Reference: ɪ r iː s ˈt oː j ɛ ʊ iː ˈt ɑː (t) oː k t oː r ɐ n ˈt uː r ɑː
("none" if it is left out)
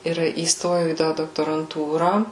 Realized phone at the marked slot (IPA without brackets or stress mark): d